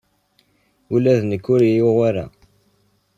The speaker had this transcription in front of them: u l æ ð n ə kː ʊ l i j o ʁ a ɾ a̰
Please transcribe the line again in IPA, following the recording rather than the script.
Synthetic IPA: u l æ ð n ə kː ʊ ɾ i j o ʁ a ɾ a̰